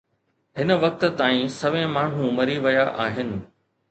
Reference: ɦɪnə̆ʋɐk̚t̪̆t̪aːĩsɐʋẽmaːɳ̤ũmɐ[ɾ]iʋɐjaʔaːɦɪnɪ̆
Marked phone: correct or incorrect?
correct